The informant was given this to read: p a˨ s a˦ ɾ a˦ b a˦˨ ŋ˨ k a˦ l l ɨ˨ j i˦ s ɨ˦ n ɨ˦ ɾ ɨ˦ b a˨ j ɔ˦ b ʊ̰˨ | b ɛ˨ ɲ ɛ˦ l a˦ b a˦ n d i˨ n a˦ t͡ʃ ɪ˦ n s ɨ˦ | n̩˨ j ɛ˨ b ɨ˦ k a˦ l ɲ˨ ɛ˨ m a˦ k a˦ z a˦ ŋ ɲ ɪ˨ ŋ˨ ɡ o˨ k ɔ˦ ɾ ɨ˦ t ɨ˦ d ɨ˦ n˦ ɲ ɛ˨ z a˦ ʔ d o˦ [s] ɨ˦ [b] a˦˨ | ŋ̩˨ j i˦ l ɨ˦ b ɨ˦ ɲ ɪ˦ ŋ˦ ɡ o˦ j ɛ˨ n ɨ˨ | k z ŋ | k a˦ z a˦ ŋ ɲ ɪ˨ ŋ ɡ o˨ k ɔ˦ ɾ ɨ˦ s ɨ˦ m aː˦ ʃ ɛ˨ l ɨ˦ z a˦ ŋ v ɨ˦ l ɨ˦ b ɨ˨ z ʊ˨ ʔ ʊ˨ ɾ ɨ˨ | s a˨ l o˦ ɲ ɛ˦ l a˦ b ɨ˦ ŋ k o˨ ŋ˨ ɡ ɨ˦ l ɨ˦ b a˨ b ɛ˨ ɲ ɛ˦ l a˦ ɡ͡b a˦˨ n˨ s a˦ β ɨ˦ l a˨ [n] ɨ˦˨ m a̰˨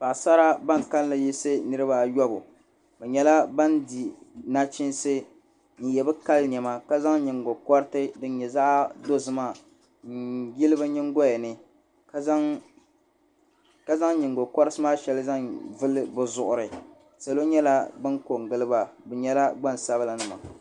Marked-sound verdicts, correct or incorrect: incorrect, incorrect, correct

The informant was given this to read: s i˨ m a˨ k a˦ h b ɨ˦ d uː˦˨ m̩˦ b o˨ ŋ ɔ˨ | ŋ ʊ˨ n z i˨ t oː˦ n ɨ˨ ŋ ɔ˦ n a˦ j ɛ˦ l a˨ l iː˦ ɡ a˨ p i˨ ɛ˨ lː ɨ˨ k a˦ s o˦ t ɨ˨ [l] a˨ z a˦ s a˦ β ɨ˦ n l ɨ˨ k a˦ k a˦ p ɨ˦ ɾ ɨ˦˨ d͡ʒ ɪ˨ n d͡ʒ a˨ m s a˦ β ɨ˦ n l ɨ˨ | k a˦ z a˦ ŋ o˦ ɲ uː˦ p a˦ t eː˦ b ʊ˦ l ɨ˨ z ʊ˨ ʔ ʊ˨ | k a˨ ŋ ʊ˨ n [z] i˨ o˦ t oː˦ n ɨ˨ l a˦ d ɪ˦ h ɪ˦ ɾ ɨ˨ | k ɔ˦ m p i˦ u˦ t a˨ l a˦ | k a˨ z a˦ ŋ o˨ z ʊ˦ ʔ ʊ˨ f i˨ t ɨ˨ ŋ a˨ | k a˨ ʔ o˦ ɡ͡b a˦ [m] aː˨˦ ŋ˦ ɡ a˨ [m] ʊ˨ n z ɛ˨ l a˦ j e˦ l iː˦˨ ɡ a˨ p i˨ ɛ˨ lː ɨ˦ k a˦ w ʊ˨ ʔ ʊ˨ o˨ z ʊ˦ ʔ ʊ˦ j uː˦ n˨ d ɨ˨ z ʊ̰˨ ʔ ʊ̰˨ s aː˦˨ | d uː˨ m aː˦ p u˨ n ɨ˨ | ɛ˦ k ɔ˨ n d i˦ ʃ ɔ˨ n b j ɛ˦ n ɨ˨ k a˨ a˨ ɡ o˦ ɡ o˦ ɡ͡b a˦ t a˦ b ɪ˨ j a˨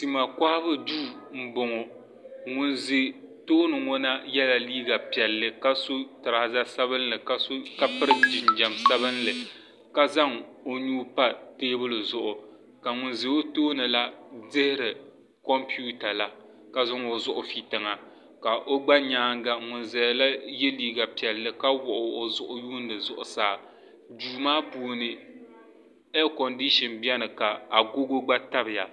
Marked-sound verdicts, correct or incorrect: incorrect, correct, incorrect, incorrect

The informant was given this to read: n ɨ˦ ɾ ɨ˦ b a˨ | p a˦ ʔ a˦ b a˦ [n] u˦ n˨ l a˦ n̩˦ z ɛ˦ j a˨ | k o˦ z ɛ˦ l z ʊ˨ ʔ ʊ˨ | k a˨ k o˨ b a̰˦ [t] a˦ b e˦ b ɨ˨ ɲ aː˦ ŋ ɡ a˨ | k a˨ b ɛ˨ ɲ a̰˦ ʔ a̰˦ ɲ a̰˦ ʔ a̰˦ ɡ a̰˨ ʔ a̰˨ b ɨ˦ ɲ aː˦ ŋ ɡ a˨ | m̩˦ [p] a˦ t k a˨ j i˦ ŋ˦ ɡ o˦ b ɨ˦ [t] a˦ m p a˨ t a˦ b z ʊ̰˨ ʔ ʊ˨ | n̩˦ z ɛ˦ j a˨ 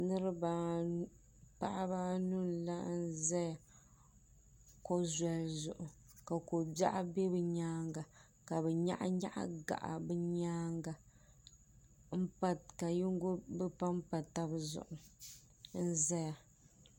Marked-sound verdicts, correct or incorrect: correct, incorrect, correct, incorrect

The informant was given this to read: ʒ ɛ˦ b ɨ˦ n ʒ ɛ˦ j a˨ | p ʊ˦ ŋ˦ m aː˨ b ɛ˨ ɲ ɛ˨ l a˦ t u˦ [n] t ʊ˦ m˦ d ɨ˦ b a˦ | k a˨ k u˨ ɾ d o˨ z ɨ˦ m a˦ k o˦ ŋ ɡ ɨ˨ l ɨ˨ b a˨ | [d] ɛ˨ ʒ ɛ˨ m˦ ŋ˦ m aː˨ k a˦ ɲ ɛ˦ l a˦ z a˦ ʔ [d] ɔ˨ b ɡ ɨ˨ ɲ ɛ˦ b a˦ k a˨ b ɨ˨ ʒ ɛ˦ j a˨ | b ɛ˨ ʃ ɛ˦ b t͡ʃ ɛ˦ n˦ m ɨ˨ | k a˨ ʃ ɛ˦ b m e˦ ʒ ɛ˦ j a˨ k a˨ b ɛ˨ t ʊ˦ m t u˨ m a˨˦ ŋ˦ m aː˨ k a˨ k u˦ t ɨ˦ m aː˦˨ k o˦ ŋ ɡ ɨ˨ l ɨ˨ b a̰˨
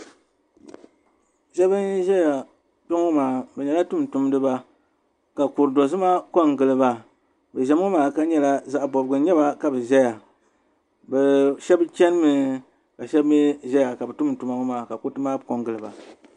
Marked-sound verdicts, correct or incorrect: incorrect, incorrect, incorrect

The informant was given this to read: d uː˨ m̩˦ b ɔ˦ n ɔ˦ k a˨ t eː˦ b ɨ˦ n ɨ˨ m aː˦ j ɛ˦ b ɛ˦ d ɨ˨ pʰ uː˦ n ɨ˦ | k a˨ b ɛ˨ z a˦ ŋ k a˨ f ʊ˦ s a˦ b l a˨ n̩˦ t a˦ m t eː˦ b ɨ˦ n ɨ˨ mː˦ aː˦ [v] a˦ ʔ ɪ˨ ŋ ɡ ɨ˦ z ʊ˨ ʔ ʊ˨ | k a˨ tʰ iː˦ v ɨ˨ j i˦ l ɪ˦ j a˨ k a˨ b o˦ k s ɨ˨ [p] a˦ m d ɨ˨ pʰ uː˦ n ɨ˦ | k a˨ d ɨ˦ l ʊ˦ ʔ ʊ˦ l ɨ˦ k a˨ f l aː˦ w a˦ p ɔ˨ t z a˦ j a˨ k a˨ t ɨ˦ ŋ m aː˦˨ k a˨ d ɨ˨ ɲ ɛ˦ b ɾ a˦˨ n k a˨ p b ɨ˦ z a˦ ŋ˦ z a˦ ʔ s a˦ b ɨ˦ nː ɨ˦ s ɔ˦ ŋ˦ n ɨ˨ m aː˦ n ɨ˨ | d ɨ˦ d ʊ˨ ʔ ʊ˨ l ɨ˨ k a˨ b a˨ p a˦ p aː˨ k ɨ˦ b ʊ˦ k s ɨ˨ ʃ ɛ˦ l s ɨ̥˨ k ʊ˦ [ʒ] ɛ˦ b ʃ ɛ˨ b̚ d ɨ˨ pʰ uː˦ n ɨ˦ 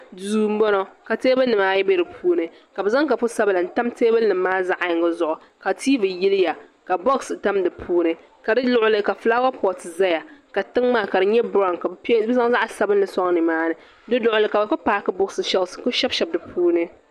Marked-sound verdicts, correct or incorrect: incorrect, incorrect, incorrect

